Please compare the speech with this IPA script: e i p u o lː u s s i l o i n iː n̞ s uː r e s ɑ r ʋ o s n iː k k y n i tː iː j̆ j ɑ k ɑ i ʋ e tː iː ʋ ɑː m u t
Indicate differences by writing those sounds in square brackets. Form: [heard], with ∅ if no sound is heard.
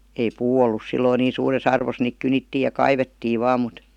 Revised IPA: e i p [uː] o lː u s s i [lː] o i n iː n̞ s uː r e s ɑ r ʋ o s n iː k k y n i tː iː j̆ j ɑ k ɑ i ʋ e tː iː ʋ ɑː m u t